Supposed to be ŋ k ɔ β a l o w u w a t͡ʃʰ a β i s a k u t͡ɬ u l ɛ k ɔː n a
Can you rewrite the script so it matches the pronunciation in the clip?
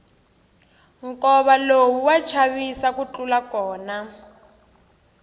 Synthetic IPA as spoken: ŋ k ɔ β a l o w u w a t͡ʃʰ a β i s a k u t͡ɬ u l a k ɔː n a